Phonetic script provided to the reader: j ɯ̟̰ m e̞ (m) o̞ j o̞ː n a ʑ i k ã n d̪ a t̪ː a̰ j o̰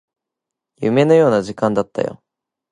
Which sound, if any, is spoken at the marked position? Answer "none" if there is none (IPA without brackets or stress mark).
n